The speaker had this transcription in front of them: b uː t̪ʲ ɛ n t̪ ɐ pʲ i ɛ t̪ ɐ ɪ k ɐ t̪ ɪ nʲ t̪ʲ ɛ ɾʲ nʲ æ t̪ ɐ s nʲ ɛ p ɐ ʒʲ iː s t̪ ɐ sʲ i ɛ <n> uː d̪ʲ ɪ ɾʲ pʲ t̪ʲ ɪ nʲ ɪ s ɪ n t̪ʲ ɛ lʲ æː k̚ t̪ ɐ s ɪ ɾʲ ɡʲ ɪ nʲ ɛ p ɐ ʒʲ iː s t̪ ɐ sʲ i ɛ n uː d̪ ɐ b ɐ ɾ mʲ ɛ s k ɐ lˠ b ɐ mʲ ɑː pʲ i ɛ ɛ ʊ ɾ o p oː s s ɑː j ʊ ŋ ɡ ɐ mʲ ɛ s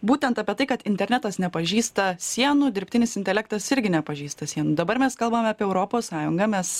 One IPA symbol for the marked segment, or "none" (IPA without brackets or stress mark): n